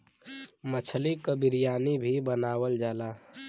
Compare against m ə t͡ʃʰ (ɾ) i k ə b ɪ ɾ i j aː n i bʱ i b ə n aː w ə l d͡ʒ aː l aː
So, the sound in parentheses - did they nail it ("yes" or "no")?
no